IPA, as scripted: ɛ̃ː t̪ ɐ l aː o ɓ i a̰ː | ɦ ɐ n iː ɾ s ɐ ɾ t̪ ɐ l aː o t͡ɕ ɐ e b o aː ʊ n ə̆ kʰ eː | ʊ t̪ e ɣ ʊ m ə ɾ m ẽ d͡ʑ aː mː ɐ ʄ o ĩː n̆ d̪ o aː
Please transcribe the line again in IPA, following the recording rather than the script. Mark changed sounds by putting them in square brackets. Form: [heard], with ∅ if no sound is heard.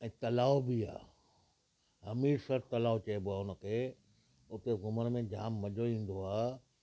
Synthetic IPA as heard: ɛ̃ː t̪ ɐ l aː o [b] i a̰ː | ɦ ɐ [m] iː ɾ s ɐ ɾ t̪ ɐ l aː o t͡ɕ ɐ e b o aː ʊ n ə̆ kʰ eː | ʊ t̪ e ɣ ʊ m ə ɾ m ẽ d͡ʑ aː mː ɐ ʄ o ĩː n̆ d̪ o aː

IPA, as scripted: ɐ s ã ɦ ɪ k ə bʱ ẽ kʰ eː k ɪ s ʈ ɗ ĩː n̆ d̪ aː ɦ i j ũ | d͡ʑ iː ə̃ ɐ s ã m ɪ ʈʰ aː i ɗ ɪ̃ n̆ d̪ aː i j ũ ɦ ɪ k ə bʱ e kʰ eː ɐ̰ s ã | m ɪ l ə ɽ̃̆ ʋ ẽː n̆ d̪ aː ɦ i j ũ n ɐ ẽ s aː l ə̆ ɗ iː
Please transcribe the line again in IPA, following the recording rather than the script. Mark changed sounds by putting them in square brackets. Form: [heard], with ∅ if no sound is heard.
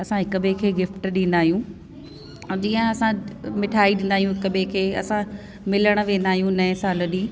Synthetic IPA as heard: ɐ s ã ɦ ɪ k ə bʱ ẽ kʰ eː [ɡ] ɪ [f] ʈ ɗ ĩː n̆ d̪ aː ɦ i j ũ | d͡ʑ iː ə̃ ɐ s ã m ɪ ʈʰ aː i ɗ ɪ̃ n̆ d̪ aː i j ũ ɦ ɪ k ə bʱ e kʰ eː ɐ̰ s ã | m ɪ l ə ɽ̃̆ ʋ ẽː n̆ d̪ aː ɦ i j ũ n ɐ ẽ s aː l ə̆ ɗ iː

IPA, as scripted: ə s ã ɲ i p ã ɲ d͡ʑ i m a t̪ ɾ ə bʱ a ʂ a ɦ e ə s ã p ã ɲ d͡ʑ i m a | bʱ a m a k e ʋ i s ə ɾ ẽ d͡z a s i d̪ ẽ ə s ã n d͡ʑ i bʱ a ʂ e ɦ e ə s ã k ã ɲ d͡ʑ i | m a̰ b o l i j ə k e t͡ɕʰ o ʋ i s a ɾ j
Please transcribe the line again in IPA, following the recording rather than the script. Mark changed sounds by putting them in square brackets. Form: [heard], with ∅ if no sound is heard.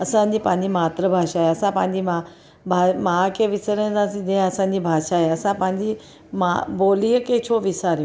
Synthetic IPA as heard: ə s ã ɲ i p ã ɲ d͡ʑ i m a t̪ ɾ ə bʱ a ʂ a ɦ e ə s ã p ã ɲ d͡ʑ i m a | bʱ a m a k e ʋ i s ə ɾ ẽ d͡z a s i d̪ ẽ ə s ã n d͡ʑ i bʱ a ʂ [a] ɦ e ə s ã [p] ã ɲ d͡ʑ i | m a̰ b o l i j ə k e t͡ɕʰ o ʋ i s a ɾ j

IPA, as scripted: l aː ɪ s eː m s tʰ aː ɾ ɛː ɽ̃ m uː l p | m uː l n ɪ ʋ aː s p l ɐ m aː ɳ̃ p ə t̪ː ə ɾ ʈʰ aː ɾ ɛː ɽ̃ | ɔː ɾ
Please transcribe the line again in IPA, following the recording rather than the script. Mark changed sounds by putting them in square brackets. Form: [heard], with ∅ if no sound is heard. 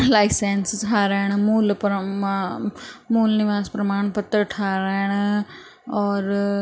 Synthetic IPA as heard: l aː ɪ s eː [n] s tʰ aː ɾ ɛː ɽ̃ m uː l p | m uː l n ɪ ʋ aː s p [ɾ] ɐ m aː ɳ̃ p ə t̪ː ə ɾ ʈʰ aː ɾ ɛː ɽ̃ | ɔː ɾ

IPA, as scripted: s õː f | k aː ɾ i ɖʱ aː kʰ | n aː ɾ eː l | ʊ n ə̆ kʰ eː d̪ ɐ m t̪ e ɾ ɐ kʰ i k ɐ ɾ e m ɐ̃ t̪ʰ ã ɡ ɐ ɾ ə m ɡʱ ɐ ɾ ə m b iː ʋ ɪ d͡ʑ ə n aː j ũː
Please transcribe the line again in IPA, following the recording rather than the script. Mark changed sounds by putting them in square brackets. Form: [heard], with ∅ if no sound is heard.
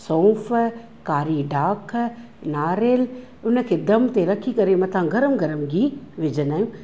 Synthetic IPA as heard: s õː f | k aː ɾ i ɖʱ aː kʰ | n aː ɾ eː l | ʊ n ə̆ kʰ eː d̪ ɐ m t̪ e ɾ ɐ kʰ i k ɐ ɾ e m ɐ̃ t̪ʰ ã ɡ ɐ ɾ ə m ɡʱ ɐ ɾ ə m [ɡ] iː ʋ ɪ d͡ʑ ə n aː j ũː

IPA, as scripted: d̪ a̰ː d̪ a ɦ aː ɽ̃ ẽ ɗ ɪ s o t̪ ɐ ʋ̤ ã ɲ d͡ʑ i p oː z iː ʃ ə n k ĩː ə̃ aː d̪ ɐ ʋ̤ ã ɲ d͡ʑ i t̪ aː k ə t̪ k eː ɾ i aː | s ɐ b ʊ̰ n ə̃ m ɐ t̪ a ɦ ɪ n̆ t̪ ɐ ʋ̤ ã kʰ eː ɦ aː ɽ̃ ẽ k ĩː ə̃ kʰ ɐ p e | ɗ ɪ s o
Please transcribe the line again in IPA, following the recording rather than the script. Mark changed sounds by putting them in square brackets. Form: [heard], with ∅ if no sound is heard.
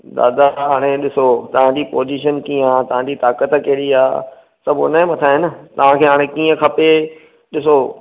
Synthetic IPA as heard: d̪ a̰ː d̪ a ɦ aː ɽ̃ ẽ ɗ ɪ s o t̪ ɐ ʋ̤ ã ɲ d͡ʑ i p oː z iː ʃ ə n k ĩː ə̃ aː [t̪] ɐ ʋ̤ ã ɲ d͡ʑ i t̪ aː k ə t̪ k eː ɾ i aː | s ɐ b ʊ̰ n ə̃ m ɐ [t̪ʰ] a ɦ ɪ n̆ t̪ ɐ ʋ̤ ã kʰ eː ɦ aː ɽ̃ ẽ k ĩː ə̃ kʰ ɐ p e | ɗ ɪ s o

